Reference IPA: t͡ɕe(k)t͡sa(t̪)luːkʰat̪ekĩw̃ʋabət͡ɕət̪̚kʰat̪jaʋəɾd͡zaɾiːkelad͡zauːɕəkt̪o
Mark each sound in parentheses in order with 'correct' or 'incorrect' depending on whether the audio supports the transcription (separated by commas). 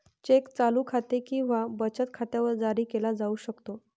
correct, incorrect